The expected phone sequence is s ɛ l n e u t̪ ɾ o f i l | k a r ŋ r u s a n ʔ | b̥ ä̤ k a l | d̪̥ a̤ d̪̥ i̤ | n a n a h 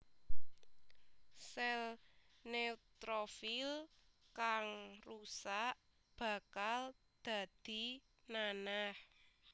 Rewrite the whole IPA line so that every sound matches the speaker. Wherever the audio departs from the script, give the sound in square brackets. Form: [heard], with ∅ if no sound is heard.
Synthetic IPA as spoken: s ɛ l n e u t̪ ɾ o f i l | k a [∅] ŋ r u s a [∅] ʔ | b̥ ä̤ k a l | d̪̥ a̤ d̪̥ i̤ | n a n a h